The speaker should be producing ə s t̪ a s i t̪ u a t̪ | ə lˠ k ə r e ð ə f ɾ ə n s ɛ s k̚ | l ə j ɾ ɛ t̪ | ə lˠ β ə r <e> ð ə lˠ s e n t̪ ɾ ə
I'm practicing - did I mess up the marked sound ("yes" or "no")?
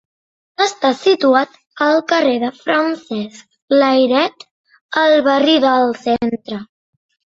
yes